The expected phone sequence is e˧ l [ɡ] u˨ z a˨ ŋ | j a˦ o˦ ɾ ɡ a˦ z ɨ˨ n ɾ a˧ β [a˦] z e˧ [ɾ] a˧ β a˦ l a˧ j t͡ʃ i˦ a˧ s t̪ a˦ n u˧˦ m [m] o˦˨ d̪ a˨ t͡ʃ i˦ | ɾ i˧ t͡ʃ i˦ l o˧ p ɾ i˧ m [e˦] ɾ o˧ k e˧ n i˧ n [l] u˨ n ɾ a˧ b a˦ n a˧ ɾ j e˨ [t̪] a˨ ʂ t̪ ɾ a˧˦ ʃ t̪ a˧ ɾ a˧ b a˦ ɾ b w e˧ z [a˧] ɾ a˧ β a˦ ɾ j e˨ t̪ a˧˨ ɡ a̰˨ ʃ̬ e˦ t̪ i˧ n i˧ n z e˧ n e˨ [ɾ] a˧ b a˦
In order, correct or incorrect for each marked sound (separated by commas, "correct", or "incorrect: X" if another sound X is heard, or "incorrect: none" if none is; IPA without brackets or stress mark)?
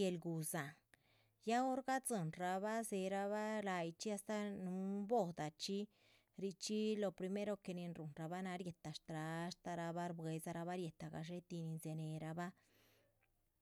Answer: correct, correct, correct, incorrect: b, correct, incorrect: ɾ, correct, correct, correct